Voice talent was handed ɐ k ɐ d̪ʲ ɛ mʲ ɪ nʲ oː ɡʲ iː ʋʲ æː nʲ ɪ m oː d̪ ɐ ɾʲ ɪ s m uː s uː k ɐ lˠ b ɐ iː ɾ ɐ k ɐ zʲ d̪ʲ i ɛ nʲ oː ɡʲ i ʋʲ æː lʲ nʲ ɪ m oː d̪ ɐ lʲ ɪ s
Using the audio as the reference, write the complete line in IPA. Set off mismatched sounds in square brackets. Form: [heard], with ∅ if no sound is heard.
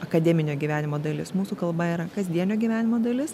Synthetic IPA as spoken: ɐ k ɐ d̪ʲ ɛ mʲ ɪ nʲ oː ɡʲ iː ʋʲ æː nʲ ɪ m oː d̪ ɐ [lʲ] ɪ s m uː s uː k ɐ lˠ b ɐ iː ɾ ɐ k ɐ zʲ d̪ʲ i ɛ nʲ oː ɡʲ i ʋʲ æː [∅] nʲ ɪ m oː d̪ ɐ lʲ ɪ s